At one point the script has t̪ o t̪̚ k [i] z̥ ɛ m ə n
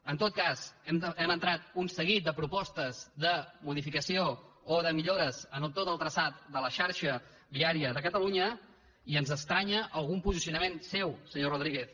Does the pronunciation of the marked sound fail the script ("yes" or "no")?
yes